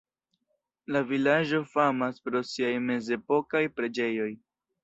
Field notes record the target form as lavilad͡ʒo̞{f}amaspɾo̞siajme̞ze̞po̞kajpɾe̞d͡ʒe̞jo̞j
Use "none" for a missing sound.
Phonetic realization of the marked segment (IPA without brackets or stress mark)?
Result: f